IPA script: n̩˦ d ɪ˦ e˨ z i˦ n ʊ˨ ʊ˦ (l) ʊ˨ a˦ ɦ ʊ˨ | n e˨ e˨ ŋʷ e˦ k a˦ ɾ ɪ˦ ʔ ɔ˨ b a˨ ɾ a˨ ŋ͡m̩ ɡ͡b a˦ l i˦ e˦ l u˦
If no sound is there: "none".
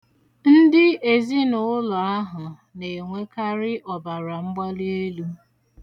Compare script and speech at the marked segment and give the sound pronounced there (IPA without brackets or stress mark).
l